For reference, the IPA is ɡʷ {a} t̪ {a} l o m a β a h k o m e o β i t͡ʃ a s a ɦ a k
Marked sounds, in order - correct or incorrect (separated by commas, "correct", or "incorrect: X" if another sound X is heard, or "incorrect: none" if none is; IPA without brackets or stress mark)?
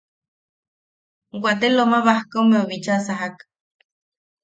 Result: correct, incorrect: e